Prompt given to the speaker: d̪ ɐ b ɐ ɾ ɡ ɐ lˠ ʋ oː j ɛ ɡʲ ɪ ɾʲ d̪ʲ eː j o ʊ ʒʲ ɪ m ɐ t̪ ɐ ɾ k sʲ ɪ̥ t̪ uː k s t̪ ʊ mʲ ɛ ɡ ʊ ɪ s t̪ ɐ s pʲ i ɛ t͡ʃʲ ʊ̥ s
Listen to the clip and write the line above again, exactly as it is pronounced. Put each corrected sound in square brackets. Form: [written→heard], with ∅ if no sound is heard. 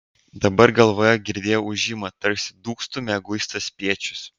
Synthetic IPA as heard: d̪ ɐ b ɐ ɾ ɡ ɐ lˠ ʋ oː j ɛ ɡʲ ɪ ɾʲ d̪ʲ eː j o ʊ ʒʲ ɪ m ɐ t̪ ɐ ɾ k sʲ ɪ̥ [t̪→d̪] uː k s t̪ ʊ mʲ ɛ ɡ ʊ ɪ s t̪ ɐ s pʲ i ɛ t͡ʃʲ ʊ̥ s

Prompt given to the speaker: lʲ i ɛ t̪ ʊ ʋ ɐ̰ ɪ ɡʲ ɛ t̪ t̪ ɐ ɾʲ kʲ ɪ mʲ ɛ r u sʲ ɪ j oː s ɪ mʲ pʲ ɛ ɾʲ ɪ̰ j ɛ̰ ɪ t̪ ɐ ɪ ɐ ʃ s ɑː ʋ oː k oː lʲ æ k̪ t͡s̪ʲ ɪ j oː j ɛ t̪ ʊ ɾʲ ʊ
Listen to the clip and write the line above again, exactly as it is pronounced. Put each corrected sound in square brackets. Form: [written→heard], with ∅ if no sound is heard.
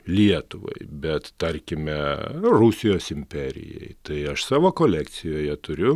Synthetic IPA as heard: lʲ i ɛ t̪ ʊ ʋ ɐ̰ ɪ [ɡʲ→bʲ] ɛ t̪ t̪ ɐ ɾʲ kʲ ɪ mʲ ɛ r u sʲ ɪ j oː s ɪ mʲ pʲ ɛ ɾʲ ɪ̰ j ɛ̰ ɪ t̪ ɐ ɪ ɐ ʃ s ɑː ʋ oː k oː lʲ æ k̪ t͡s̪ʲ ɪ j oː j ɛ t̪ ʊ ɾʲ ʊ

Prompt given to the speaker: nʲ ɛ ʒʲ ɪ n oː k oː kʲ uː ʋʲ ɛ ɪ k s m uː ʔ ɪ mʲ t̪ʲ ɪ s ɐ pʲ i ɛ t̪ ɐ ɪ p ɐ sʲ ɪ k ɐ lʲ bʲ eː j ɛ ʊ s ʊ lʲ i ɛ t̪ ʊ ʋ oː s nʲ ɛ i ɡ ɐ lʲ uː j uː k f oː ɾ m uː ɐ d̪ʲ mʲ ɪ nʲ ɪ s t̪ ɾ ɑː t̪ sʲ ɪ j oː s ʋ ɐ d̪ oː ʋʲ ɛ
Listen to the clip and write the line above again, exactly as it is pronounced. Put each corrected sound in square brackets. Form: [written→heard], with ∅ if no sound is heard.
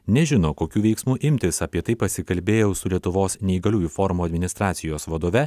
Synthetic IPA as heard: nʲ ɛ ʒʲ ɪ n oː k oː kʲ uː ʋʲ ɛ ɪ k s m uː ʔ ɪ mʲ t̪ʲ ɪ s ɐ pʲ i ɛ t̪ ɐ ɪ p ɐ sʲ ɪ k ɐ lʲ bʲ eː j ɛ ʊ s ʊ lʲ i ɛ t̪ ʊ ʋ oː s nʲ ɛ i ɡ ɐ lʲ uː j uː [k→∅] f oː ɾ m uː ɐ d̪ʲ mʲ ɪ nʲ ɪ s t̪ ɾ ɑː t̪ sʲ ɪ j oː s ʋ ɐ d̪ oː ʋʲ ɛ

